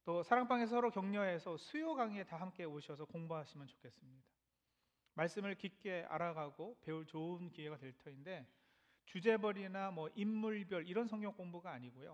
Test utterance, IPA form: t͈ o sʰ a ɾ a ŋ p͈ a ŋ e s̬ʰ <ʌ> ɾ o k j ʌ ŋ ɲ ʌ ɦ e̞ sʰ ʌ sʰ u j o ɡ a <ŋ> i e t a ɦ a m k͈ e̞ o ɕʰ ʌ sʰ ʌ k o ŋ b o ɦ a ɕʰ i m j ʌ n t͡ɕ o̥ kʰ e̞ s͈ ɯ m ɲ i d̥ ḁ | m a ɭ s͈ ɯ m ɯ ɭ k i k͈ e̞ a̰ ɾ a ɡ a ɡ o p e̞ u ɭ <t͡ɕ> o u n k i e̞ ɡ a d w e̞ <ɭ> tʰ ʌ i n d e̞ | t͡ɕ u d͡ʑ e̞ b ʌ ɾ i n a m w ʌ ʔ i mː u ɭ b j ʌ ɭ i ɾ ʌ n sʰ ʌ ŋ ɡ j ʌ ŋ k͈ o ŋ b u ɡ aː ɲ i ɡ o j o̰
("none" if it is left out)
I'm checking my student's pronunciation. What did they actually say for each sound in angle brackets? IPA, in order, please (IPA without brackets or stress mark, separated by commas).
ʌ, ŋ, t͡ɕ, ɭ